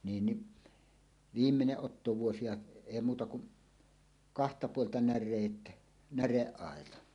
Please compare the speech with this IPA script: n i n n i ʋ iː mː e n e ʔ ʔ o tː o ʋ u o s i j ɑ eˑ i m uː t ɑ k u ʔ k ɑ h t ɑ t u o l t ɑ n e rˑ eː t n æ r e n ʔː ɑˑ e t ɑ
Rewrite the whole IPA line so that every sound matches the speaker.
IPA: n iː n n i ʋ iː mː e n e ʔ ʔ o tː o ʋ u o s i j ɑ eˑ i m uː t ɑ k u ʔ k ɑ h t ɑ p u o l t ɑ n æ rˑ eː t n æ r e ʔː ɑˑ e t ɑ